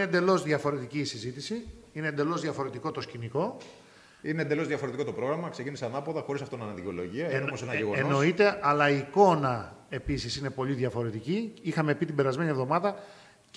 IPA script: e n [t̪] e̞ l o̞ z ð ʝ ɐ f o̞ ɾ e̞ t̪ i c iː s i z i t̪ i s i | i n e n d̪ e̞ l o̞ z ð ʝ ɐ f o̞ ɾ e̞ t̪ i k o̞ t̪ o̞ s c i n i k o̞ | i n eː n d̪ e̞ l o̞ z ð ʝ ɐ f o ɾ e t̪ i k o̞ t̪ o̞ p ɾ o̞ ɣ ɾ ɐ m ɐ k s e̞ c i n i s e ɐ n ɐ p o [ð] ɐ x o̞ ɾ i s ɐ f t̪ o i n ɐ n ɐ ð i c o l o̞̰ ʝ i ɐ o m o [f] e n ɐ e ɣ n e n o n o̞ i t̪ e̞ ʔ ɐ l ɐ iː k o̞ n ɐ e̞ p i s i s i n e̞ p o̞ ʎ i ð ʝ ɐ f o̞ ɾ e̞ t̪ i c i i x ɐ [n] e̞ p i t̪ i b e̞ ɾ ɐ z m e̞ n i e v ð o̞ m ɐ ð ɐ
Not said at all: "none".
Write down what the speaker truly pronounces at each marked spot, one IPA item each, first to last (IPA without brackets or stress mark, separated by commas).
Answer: d̪, ð, s, m